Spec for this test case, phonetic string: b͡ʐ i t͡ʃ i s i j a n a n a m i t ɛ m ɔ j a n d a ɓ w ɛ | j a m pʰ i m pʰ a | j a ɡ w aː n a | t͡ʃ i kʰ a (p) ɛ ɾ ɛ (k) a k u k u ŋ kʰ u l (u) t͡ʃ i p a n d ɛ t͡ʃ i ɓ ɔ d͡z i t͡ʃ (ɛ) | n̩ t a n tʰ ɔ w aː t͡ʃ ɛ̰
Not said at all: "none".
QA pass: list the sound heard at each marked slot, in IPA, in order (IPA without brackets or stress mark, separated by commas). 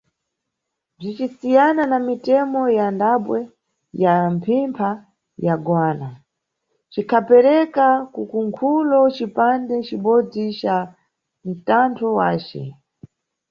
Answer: p, k, ɔ, a